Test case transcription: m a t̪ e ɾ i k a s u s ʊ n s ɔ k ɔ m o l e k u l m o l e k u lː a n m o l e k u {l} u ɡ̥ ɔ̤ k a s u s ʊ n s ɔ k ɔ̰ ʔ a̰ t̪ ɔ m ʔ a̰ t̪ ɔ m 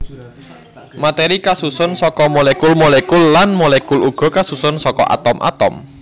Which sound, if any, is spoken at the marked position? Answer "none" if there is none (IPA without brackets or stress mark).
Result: l